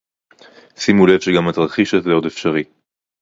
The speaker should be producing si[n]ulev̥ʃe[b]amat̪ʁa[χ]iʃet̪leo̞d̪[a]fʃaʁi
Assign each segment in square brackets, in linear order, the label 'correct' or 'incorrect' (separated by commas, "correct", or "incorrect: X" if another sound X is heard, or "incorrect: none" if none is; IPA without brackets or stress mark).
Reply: incorrect: m, incorrect: ɡ, correct, incorrect: e